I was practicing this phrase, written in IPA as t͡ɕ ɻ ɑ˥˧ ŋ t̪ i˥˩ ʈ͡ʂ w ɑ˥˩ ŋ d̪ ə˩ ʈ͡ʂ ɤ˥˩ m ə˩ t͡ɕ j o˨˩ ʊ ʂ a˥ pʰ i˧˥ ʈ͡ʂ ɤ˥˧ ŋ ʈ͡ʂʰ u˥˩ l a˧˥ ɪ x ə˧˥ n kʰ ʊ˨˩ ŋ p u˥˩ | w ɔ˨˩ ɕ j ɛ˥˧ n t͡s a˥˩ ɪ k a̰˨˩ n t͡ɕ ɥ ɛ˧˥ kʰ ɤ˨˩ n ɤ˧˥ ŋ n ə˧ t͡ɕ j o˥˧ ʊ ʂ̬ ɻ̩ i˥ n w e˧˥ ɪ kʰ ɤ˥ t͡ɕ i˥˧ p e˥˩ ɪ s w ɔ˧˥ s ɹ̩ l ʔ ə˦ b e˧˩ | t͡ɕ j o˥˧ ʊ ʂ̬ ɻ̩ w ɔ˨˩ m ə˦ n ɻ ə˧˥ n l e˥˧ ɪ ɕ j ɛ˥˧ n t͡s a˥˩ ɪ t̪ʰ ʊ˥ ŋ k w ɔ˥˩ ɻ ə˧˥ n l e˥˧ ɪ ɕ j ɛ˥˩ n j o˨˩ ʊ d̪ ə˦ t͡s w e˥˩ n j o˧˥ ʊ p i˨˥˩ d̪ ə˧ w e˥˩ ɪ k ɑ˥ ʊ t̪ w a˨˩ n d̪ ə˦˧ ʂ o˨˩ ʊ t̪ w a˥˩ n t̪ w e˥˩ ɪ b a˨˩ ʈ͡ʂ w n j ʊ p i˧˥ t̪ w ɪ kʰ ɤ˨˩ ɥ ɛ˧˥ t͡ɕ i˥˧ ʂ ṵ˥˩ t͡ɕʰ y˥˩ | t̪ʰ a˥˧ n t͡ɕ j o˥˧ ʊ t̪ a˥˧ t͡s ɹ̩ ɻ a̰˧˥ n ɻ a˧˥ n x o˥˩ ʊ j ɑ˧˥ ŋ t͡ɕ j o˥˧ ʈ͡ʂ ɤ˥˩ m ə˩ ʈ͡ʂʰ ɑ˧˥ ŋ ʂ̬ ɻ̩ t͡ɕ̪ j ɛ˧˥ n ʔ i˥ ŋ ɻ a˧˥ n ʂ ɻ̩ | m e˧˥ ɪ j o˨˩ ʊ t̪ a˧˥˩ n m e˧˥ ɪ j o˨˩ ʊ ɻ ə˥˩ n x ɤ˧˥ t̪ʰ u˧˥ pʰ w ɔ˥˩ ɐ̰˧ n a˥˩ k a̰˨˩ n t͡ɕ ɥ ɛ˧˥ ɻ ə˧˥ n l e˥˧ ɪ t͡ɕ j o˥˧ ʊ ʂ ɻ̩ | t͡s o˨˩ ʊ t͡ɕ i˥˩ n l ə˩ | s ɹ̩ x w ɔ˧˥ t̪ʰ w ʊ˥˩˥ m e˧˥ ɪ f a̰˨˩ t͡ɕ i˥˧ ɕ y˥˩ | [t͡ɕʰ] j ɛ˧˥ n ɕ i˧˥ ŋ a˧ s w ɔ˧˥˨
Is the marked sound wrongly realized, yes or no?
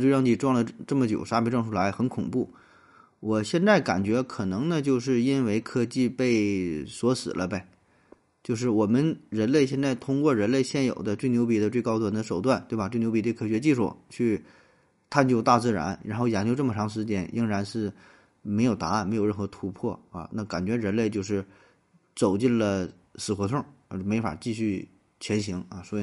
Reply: no